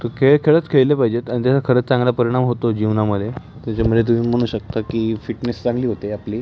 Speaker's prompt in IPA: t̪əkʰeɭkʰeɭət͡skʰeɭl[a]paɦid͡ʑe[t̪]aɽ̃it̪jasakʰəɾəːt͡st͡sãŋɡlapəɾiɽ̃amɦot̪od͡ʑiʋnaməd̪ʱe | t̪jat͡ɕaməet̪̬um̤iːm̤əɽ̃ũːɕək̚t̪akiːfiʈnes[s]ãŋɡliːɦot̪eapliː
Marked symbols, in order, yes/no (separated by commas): no, yes, no